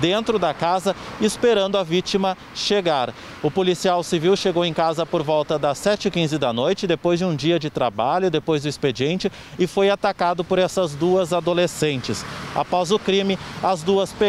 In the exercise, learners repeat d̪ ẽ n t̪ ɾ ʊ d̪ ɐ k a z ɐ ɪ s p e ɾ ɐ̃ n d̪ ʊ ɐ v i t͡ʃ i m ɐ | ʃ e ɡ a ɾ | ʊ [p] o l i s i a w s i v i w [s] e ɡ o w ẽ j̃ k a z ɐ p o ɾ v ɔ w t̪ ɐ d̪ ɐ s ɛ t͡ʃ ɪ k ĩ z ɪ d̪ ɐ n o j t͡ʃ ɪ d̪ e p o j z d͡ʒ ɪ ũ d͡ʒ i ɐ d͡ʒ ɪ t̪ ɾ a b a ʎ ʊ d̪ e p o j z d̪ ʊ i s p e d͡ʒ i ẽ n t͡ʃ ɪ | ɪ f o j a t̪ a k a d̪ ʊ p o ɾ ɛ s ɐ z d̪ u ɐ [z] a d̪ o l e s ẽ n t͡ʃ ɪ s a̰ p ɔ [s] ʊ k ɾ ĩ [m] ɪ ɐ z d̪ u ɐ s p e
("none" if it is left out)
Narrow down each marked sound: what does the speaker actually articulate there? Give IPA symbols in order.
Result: p, ʃ, z, z, m

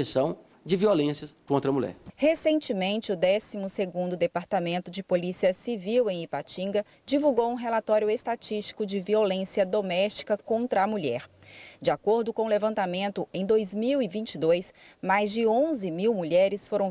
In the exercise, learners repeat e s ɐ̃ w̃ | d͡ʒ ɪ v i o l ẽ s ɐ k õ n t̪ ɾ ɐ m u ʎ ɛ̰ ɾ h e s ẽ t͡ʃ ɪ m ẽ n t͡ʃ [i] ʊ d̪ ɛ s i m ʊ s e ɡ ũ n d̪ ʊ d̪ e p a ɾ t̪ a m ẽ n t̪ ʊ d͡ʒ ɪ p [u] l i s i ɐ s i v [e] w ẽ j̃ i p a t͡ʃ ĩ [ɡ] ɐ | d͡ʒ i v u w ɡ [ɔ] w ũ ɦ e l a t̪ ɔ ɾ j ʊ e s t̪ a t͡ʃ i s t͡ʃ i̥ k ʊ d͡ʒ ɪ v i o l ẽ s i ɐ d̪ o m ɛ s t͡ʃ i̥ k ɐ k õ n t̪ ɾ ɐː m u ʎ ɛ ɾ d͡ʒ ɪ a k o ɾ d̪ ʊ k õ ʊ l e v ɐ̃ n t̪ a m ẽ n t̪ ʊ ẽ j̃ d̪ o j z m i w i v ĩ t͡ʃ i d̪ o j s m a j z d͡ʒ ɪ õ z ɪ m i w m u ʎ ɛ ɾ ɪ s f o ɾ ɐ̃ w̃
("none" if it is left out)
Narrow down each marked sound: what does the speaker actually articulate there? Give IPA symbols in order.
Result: ɪ, o, i, ɡ, o

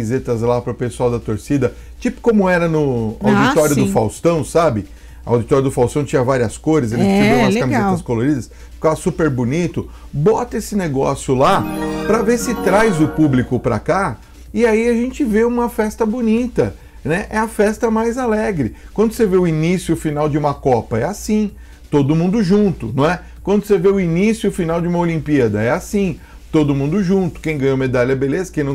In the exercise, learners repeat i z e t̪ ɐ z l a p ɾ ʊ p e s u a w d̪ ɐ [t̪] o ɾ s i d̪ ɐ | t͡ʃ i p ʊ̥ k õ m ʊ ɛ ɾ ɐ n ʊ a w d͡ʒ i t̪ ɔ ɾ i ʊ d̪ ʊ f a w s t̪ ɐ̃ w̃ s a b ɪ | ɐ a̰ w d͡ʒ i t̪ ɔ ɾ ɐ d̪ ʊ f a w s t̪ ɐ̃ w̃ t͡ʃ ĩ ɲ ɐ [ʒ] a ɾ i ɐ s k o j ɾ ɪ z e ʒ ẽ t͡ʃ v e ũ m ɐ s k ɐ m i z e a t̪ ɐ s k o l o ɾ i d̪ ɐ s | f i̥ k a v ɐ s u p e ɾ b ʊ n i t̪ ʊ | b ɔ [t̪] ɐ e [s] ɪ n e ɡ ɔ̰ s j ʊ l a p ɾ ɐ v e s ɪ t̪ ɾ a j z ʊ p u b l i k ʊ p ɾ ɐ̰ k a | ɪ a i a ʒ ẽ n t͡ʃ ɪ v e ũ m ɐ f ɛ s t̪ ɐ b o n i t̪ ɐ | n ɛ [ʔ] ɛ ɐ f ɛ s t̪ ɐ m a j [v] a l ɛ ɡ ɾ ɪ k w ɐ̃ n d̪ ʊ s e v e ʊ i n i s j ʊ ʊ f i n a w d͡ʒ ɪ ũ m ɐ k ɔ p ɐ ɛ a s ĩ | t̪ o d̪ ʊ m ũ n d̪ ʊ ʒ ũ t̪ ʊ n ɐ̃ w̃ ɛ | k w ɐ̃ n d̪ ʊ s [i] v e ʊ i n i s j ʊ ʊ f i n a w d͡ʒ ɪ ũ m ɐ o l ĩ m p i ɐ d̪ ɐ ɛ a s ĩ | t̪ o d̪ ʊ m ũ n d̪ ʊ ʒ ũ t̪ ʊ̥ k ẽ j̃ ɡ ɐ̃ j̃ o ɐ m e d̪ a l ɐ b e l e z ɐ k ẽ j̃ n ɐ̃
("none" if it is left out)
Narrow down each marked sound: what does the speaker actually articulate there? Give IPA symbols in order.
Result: t̪, v, t̪, s, ʔ, z, e

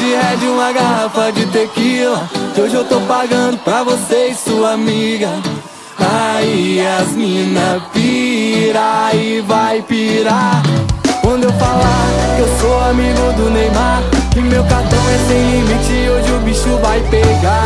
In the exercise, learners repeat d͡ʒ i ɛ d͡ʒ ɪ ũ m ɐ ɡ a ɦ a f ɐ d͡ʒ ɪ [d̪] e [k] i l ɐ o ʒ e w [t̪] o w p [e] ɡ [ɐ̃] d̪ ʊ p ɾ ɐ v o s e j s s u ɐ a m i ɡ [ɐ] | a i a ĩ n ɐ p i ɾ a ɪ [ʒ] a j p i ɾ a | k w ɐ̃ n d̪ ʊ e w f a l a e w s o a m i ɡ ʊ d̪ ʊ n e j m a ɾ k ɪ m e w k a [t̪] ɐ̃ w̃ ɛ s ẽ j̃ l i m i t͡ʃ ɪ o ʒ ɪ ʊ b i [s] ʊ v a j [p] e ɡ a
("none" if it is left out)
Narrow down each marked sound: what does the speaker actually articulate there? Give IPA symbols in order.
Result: t̪, k, t̪, a, ɐ̃, ɐ, v, t̪, ʃ, p

